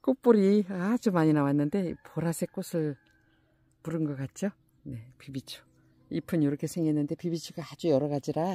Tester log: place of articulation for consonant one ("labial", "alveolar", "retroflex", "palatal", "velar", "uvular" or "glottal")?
velar